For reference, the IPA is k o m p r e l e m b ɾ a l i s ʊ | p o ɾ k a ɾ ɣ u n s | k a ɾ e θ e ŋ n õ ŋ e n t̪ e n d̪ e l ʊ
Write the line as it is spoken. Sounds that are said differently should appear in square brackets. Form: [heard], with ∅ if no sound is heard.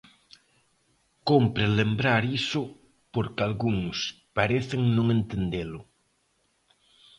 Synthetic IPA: k o m p [ɾ] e l e m b ɾ a [ɾ] i s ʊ | p o ɾ k a [l] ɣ u [ŋ] s | [p] a ɾ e θ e ŋ n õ ŋ e n t̪ e n d̪ e l ʊ